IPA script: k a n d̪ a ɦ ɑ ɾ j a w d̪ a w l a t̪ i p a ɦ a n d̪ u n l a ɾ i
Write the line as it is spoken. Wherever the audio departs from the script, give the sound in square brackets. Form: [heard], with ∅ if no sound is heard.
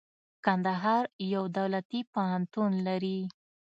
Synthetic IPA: k a n d̪ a ɦ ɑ ɾ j a w d̪ a w l a t̪ i p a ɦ a n [t̪] u n l a ɾ i